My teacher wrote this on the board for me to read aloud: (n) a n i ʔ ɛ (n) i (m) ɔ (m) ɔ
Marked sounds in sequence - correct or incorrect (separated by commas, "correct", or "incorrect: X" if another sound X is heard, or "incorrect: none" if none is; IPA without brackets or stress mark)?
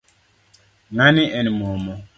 incorrect: ŋ, correct, correct, correct